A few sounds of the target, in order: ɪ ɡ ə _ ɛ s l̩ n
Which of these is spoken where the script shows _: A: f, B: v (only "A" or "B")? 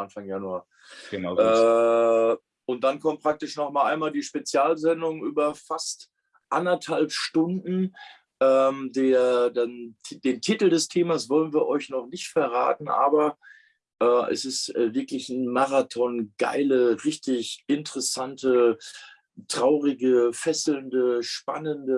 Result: A